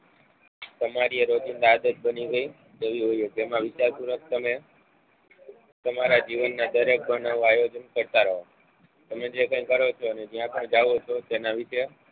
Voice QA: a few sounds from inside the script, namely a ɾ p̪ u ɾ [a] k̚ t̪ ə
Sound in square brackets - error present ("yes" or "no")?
yes